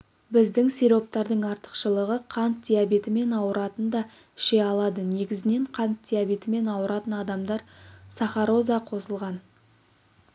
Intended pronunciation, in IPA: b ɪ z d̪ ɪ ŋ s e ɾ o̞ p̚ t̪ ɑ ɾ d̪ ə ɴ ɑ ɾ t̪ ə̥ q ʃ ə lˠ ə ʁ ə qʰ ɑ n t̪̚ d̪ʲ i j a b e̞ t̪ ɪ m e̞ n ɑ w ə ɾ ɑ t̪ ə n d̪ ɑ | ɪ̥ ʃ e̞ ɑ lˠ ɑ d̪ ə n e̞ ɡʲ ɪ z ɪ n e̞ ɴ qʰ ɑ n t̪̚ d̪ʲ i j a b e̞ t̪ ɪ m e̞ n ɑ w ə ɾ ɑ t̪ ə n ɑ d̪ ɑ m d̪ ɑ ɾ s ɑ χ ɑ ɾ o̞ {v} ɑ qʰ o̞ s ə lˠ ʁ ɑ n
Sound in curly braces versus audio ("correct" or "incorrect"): incorrect